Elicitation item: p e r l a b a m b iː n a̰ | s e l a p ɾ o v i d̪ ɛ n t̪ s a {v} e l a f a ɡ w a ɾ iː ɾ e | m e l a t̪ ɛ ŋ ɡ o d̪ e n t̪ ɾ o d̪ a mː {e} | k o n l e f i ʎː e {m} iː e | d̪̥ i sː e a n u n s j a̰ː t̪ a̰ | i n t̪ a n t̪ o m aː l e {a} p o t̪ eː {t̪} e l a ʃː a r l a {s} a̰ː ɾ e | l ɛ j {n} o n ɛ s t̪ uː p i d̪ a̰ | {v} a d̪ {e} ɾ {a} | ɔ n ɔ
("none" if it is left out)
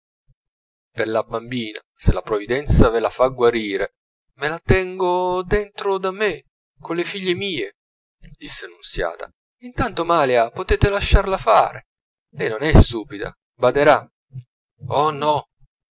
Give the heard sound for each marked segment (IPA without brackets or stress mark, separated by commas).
v, e, m, a, t̪, f, n, b, e, a